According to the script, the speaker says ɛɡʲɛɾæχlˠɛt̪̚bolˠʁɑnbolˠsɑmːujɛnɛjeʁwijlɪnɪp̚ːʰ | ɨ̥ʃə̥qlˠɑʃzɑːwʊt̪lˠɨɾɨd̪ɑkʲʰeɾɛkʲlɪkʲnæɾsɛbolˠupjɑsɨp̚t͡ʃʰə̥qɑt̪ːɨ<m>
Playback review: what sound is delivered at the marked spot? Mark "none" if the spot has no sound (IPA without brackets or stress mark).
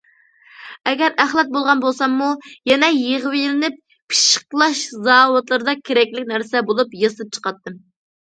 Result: m